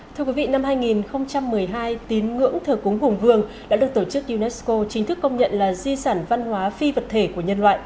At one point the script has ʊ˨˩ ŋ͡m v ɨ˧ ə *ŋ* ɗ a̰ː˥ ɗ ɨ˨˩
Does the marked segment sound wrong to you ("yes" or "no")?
no